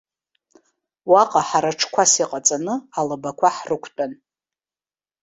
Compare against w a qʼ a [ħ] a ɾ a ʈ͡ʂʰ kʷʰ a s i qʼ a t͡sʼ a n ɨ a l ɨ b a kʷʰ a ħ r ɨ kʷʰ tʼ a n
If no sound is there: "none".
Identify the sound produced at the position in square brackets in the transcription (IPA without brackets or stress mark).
ħ